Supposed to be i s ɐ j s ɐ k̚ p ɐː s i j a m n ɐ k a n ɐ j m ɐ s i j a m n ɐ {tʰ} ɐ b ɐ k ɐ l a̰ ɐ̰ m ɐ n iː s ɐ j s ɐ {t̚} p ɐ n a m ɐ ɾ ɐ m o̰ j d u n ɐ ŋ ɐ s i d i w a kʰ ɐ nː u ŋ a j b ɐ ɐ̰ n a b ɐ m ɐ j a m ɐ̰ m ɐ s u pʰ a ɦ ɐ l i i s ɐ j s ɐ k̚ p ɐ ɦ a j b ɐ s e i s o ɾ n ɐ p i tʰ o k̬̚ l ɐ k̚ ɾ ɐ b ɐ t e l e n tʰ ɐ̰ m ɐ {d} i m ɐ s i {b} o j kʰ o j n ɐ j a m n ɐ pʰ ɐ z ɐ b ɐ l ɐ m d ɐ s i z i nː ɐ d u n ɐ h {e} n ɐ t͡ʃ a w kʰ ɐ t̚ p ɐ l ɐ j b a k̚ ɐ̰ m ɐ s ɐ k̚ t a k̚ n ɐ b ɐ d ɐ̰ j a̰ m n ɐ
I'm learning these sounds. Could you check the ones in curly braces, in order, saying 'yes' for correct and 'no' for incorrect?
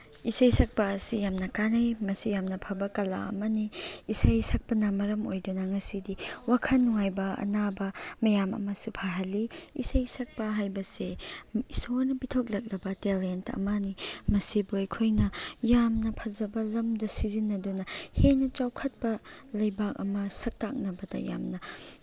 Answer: no, no, no, yes, yes

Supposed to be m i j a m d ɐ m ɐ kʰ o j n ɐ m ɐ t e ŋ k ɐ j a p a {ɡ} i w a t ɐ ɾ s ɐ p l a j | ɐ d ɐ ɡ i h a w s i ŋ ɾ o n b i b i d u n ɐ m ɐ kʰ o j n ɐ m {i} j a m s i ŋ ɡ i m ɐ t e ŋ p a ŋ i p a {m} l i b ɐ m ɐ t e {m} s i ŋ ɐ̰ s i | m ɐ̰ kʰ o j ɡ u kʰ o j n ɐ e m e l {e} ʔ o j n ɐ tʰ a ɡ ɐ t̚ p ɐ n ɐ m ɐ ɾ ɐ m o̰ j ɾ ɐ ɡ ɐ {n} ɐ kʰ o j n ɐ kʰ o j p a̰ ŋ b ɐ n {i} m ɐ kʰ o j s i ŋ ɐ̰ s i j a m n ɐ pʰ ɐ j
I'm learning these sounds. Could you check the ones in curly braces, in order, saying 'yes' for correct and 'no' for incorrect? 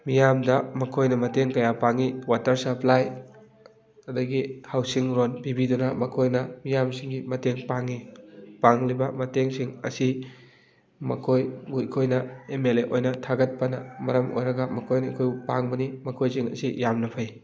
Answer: no, yes, no, no, yes, no, yes

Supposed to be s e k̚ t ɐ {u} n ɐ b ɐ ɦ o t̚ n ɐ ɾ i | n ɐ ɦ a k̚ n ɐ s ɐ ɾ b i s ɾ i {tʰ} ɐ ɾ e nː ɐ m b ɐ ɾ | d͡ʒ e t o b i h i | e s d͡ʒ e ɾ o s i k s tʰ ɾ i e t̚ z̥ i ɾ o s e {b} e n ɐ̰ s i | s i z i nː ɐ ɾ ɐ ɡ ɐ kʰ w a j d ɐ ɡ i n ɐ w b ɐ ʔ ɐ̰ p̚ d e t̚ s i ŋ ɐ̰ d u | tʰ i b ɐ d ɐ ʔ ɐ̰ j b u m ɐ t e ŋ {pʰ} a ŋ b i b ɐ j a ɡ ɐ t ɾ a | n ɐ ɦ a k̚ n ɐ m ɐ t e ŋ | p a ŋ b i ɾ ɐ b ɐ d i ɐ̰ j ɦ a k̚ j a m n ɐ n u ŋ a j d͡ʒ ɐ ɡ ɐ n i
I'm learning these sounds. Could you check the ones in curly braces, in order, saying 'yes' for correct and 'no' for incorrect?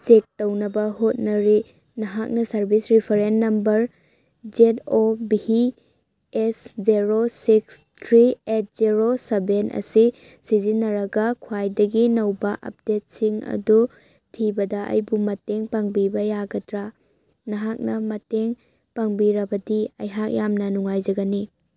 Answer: no, no, yes, no

